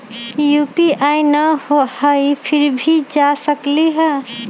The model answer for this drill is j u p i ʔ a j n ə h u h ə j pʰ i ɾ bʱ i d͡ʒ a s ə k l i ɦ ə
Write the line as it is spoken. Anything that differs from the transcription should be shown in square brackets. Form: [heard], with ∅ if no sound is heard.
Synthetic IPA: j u p i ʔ a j n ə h [o] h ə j pʰ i ɾ bʱ i d͡ʒ a s ə k l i ɦ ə